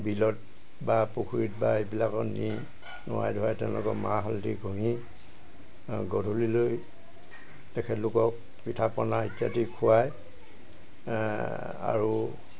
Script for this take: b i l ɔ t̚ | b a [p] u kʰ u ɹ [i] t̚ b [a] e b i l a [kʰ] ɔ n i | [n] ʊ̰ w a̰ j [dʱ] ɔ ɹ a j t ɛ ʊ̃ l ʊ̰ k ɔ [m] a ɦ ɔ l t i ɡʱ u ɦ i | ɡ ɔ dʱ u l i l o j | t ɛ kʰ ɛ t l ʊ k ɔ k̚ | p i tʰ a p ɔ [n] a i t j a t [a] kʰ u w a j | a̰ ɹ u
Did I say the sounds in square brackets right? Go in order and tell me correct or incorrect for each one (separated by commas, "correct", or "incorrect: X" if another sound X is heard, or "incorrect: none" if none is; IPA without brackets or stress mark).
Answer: correct, correct, correct, incorrect: k, correct, correct, correct, correct, incorrect: i